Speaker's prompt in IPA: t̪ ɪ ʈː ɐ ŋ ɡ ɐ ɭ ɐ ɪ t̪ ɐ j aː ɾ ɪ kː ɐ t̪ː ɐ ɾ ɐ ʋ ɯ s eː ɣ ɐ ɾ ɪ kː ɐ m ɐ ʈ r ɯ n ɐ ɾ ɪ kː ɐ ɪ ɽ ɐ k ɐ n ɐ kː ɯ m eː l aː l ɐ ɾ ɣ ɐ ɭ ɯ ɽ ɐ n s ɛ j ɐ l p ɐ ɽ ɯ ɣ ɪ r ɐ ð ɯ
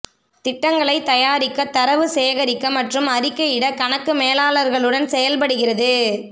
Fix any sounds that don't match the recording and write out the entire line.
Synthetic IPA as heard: t̪ ɪ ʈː ɐ ŋ ɡ ɐ ɭ ɐ ɪ t̪ ɐ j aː ɾ ɪ kː ɐ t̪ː ɐ ɾ ɐ ʋ ɯ s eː ɣ ɐ ɾ ɪ kː ɐ m ɐ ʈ r ɯ m ɐ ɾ ɪ kː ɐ ɪ ɽ ɐ k ɐ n ɐ kː ɯ m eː l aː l ɐ ɾ ɣ ɐ ɭ ɯ ɽ ɐ n s ɛ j ɐ l p ɐ ɽ ɯ ɣ ɪ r ɐ ð ɯ